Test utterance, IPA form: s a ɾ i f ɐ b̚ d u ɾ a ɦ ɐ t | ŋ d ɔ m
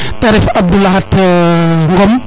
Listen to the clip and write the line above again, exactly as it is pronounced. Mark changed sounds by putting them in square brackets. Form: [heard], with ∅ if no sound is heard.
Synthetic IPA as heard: [t] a ɾ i f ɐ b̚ d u [l] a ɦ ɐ t | ŋ [ɡ] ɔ m

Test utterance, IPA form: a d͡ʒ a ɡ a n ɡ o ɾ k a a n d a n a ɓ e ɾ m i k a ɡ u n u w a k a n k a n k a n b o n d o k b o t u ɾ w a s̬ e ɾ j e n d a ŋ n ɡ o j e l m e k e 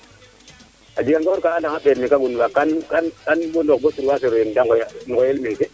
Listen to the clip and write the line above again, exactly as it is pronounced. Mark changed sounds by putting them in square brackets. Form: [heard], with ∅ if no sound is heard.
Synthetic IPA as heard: a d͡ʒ [i] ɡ a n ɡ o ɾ k a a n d a [ŋ] a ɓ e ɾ m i k a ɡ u n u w a k a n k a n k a n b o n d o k b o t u ɾ w a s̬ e ɾ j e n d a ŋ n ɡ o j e l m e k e

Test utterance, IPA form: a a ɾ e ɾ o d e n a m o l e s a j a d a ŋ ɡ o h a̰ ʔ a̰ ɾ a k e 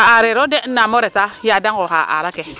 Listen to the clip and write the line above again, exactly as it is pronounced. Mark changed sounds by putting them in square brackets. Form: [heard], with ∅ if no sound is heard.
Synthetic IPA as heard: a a ɾ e ɾ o d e n a m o [ɾ] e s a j a d a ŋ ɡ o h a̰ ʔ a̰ ɾ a k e

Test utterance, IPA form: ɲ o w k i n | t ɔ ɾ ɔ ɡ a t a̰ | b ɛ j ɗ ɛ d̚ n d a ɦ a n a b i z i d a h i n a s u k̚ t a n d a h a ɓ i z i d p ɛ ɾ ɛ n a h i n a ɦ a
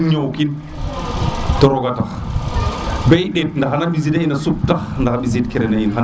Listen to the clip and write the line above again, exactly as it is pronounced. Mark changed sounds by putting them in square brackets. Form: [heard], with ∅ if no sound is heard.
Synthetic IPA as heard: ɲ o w k i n | t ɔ ɾ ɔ ɡ a t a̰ | b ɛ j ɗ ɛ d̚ n d a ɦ a n a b i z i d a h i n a s u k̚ t a n d a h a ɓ i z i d [k] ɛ ɾ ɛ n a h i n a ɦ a

